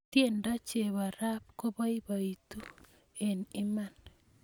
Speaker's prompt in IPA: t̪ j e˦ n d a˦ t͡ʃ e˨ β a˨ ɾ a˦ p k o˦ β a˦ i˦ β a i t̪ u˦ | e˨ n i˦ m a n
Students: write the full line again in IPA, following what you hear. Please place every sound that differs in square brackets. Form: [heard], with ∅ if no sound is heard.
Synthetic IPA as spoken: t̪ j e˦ n d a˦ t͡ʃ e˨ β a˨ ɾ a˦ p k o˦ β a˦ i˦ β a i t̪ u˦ | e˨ n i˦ m a n

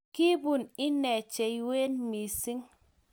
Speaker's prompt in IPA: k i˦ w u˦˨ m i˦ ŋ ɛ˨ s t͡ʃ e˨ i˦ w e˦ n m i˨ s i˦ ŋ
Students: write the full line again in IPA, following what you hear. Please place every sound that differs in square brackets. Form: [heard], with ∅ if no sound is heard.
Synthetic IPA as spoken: k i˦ [b] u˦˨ [n] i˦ [n] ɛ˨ [∅] t͡ʃ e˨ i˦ w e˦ n m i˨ s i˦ ŋ

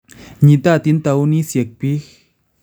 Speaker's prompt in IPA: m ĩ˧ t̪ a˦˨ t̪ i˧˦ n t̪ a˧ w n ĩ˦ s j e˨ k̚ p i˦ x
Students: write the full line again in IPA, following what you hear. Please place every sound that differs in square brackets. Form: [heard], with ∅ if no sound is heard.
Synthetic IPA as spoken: [ɲ] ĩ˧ t̪ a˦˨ t̪ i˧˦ n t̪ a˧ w n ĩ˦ s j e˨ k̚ p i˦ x

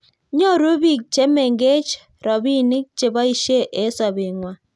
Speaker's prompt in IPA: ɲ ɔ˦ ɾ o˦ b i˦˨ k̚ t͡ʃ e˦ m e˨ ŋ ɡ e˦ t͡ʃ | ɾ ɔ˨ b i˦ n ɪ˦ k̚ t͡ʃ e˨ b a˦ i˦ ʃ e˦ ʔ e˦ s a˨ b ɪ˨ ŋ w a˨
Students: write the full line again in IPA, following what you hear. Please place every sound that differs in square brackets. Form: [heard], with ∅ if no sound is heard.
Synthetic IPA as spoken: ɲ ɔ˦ ɾ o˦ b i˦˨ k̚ t͡ʃ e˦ m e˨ ŋ ɡ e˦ t͡ʃ | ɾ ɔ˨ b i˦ n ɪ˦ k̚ t͡ʃ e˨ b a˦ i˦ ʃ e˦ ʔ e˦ s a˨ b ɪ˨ ŋ w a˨

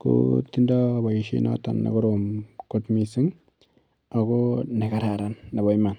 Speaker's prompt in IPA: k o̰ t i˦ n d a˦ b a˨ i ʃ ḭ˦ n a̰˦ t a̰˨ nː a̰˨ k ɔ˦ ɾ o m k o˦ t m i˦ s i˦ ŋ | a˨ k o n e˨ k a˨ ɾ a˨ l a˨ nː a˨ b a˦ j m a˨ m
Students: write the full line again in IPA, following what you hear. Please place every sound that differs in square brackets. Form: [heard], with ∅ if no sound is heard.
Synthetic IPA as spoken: k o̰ t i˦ n d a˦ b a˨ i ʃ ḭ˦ n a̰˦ t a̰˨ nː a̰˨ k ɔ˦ ɾ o m k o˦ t m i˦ s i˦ ŋ | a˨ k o n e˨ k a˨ ɾ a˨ [ɾ] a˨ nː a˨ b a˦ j m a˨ [n]

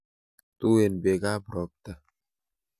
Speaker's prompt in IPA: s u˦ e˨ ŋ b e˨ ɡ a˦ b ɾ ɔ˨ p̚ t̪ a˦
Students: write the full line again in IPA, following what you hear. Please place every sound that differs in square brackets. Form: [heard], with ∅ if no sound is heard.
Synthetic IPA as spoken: [t] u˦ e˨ [n] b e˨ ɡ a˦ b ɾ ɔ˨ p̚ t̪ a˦

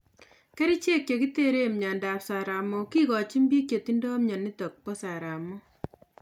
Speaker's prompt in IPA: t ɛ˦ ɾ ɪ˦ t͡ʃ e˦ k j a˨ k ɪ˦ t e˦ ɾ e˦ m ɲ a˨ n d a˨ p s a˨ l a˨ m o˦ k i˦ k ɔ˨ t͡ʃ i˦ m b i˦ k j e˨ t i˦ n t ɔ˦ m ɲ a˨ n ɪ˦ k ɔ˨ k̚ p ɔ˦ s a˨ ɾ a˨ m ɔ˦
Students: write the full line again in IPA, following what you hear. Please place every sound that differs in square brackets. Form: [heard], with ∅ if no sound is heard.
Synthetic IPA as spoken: [k] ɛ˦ ɾ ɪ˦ t͡ʃ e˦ k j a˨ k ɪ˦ t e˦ ɾ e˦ m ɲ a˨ n d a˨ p s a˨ [ɾ] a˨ m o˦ k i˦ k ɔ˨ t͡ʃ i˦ m b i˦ k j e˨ t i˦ n [d] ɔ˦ m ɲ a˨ n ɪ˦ [t] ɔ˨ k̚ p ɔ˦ s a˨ ɾ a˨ m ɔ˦

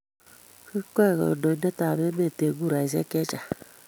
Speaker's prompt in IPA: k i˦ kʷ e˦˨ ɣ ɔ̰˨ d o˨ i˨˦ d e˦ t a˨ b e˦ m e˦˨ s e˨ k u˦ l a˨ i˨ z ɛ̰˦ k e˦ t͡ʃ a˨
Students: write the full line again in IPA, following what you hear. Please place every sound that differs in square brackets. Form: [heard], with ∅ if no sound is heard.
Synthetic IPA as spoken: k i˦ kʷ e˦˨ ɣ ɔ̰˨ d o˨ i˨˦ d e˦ t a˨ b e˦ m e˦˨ [t] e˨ [ɡ] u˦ [ɾ] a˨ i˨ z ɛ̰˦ k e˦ t͡ʃ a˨

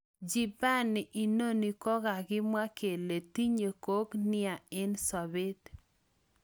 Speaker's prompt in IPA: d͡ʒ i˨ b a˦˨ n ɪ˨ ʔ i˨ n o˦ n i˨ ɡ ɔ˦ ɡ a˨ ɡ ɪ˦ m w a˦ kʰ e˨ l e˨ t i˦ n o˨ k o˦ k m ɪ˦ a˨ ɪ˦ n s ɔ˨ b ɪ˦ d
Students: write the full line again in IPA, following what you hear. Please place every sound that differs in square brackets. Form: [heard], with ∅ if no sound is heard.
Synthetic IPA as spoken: d͡ʒ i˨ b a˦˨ n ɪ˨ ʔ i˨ n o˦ n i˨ [k] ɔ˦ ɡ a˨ ɡ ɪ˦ m w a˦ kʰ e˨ l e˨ t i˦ [ɲ] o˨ k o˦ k [n] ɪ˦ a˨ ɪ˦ n s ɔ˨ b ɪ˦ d

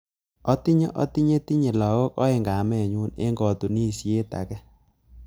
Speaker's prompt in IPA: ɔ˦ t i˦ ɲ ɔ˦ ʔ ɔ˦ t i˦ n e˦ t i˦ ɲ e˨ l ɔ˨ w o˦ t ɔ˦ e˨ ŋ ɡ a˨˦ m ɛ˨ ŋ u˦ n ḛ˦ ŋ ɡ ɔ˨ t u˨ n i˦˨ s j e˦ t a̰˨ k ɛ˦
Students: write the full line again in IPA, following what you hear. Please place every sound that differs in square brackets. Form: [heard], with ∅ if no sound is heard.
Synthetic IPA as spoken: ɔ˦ t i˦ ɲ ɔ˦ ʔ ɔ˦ t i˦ [ɲ] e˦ t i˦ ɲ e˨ l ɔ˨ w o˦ [k] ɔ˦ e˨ ŋ ɡ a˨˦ m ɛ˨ [ɲ] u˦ n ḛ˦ ŋ ɡ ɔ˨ t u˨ n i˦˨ s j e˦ t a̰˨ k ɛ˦

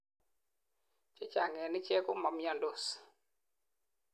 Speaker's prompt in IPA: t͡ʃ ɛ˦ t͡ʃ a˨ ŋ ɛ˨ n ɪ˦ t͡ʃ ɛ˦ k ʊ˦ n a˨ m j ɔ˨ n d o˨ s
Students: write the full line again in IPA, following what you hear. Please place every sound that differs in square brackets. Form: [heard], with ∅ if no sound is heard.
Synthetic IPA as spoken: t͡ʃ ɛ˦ t͡ʃ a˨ ŋ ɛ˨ n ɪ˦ t͡ʃ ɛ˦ k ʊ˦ [m] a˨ m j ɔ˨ n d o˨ s

